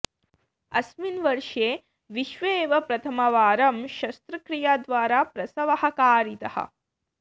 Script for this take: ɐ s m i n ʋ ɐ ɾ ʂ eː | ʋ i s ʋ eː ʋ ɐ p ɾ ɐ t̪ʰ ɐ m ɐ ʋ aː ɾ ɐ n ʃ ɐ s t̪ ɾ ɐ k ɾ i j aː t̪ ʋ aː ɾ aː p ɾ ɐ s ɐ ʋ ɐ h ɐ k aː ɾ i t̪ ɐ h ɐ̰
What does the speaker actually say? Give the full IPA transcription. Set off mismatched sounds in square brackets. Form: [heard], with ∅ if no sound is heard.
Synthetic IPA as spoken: ɐ s m i n ʋ ɐ ɾ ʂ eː | ʋ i [ʃ] ʋ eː ʋ ɐ p ɾ ɐ t̪ʰ ɐ m ɐ ʋ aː ɾ ɐ [m] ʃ ɐ s t̪ ɾ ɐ k ɾ i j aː [d̪] ʋ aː ɾ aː p ɾ ɐ s ɐ ʋ ɐ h ɐ k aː ɾ i t̪ ɐ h ɐ̰